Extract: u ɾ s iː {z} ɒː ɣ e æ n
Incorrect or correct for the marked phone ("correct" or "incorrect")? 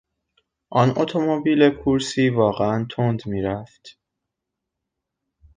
incorrect